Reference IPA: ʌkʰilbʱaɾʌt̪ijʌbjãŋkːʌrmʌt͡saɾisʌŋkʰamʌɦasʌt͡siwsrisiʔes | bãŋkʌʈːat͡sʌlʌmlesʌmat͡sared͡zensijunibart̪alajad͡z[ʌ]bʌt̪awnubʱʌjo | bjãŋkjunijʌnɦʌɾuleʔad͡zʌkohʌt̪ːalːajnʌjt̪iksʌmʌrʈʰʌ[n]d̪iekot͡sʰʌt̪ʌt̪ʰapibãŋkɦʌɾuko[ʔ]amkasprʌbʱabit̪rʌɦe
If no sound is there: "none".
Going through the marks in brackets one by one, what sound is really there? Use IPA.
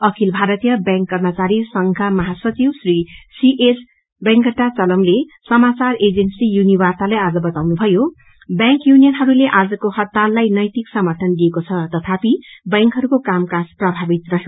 ʌ, n, k

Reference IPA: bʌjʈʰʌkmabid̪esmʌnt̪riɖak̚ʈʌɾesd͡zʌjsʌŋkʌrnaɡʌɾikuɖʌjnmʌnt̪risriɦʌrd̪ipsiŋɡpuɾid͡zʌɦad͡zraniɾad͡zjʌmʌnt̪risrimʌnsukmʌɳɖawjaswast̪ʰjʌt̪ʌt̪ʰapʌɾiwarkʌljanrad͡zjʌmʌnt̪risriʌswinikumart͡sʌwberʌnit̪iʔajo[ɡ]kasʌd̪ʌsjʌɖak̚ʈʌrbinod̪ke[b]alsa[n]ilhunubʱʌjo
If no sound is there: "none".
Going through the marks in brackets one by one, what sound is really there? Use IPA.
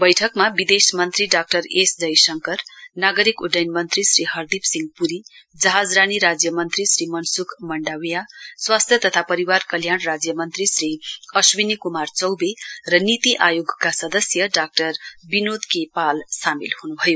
ɡ, p, m

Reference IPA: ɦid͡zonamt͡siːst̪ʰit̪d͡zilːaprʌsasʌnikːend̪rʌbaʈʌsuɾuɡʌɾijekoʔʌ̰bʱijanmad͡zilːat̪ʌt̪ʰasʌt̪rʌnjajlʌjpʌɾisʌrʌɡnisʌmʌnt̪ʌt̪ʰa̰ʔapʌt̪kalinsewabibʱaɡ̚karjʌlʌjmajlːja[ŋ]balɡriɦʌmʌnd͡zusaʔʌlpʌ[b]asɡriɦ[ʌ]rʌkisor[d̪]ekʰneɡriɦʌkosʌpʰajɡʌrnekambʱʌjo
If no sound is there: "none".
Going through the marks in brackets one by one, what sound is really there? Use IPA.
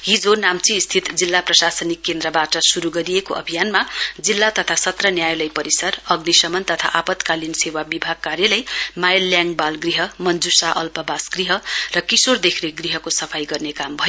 ŋ, b, ʌ, d̪

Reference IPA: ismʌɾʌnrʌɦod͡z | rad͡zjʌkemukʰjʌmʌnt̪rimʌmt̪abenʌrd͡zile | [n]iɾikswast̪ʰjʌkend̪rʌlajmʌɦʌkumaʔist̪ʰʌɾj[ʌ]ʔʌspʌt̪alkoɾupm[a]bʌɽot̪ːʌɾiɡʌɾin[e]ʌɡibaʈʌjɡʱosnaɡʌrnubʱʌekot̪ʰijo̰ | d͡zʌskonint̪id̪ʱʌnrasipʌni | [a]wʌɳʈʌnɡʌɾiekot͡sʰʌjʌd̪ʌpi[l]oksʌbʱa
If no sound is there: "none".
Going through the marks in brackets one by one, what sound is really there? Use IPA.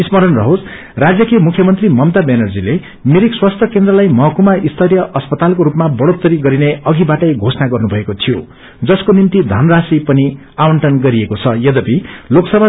m, ʌ, a, e, a, l

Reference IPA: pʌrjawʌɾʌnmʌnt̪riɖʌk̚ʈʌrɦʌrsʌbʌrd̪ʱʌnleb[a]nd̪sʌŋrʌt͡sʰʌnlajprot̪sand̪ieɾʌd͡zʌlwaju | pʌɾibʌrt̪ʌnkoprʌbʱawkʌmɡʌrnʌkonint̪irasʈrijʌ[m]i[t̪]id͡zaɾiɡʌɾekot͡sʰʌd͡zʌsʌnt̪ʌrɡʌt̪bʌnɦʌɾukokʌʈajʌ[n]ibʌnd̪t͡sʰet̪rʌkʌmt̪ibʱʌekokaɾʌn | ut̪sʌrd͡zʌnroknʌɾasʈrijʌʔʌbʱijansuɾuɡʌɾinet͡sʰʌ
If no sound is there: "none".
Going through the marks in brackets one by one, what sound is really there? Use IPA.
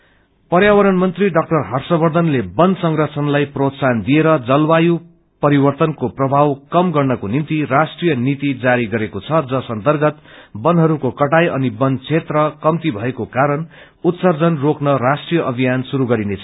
ʌ, n, t̪, n

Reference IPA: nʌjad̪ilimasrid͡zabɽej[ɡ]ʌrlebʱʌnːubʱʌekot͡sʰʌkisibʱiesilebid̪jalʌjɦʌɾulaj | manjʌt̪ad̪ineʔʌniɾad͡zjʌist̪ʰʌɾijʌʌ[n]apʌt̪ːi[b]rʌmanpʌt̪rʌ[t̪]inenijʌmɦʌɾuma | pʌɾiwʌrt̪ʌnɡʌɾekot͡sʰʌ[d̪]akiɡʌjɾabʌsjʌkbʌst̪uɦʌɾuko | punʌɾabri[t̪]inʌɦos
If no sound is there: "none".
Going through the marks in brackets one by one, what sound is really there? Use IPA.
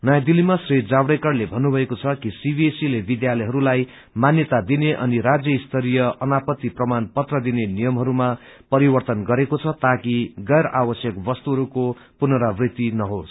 k, n, p, d̪, t̪, t̪

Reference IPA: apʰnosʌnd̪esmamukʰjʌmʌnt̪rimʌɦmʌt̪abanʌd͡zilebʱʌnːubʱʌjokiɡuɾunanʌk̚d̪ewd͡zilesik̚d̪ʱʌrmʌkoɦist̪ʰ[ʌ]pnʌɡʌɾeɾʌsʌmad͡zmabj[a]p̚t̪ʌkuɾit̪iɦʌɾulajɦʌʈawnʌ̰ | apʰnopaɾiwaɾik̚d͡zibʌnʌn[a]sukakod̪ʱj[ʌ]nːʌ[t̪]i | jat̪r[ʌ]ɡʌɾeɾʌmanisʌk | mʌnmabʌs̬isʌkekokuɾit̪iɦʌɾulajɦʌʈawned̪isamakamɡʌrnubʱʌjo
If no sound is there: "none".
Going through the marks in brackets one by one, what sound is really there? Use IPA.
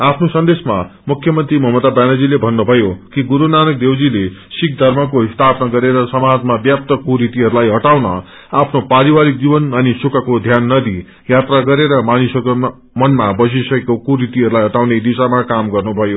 a, a, i, a, d̪, a

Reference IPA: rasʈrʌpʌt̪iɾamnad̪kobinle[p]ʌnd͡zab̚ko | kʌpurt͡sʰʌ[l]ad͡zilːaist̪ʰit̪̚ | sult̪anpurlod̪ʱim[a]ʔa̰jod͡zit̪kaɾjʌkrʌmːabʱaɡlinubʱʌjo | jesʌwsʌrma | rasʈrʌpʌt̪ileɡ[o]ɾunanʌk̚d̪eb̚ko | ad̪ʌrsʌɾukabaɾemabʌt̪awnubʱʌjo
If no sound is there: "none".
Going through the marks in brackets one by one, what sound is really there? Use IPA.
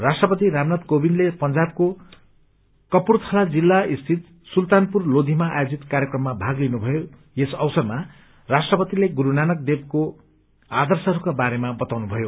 p, l, a, u

